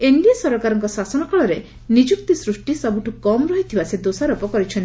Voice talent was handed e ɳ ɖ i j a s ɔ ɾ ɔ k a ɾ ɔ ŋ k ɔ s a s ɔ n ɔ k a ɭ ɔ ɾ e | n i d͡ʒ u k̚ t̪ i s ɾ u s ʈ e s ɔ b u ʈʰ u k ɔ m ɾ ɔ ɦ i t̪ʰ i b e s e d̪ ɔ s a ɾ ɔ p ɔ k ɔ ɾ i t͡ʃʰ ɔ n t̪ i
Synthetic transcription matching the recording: e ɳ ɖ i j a s ɔ ɾ ɔ k a ɾ ɔ ŋ k ɔ s a s ɔ n ɔ k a ɭ ɔ ɾ e | n i d͡ʒ u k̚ t̪ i s ɾ u s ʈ i s ɔ b u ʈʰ u k ɔ m ɾ ɔ ɦ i t̪ʰ i b a s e d̪ o s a ɾ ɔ p ɔ k ɔ ɾ i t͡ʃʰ ɔ n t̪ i

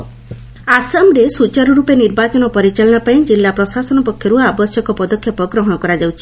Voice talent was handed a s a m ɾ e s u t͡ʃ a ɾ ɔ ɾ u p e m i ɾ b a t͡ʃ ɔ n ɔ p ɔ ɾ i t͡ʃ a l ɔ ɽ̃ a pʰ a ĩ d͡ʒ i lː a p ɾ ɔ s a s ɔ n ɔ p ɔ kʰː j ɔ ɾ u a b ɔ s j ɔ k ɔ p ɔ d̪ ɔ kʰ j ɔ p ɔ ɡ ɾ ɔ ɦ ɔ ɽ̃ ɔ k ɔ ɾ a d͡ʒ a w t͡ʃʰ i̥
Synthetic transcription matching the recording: a s a m ɾ e s u t͡ʃ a ɾ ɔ ɾ u p e n i ɾ b a t͡ʃ ɔ n ɔ p ɔ ɾ i t͡ʃ a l ɔ ɽ̃ a p a ĩ d͡ʒ i lː a p ɾ ɔ s a s ɔ n ɔ p ɔ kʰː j ɔ ɾ u a b ɔ s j ɔ k ɔ p ɔ d̪ ɔ kʰ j ɔ p ɔ ɡ ɾ ɔ ɦ ɔ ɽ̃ ɔ k ɔ ɾ a d͡ʒ a w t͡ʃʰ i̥

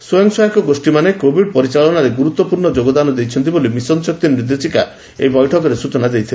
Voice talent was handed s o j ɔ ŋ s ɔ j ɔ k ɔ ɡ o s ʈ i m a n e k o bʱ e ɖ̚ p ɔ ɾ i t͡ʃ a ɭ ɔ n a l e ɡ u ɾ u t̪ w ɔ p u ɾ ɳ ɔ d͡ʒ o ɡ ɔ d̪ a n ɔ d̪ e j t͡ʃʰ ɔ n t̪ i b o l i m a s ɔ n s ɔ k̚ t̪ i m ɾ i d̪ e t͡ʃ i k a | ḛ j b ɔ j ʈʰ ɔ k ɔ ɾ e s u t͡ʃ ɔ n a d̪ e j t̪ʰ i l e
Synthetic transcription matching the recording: s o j ɔ ŋ s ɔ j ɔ k ɔ ɡ o s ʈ i m a n e k o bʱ i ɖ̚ p ɔ ɾ i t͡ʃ a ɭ ɔ n a ɾ e ɡ u ɾ u t̪ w ɔ p u ɾ ɳ ɔ d͡ʒ o ɡ ɔ d̪ a n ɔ d̪ e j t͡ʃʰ ɔ n t̪ i b o l i m i s ɔ n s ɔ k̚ t̪ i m ɾ i d̪ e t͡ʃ i k a | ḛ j b ɔ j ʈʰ ɔ k ɔ ɾ e s u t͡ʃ ɔ n a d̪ e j t̪ʰ i l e

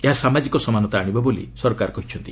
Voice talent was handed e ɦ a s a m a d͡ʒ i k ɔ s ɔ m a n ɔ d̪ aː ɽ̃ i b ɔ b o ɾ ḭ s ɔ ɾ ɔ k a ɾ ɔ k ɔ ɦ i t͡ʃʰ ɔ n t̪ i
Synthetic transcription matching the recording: e ɦ a s a m a d͡ʒ i k ɔ s ɔ m a n ɔ t̪ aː ɽ̃ i b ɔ b o l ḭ s ɔ ɾ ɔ k a ɾ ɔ k ɔ ɦ i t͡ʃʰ ɔ n t̪ i

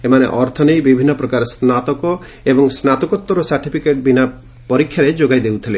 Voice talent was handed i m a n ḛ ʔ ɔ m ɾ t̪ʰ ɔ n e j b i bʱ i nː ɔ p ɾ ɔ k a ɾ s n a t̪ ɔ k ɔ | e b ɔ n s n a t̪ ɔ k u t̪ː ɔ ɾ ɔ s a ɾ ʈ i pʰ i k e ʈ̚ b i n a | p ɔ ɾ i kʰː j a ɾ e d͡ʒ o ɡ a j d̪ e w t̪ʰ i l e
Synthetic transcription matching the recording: e m a n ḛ ʔ ɔ ɾ t̪ʰ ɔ n e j b i bʱ i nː ɔ p ɾ ɔ k a ɾ s n a t̪ ɔ k ɔ | e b ɔ ŋ s n a t̪ ɔ k ɔ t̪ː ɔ ɾ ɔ s a ɾ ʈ i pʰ i k e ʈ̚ b i n a | p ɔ ɾ i kʰː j a ɾ e d͡ʒ o ɡ a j d̪ e w t̪ʰ i l e

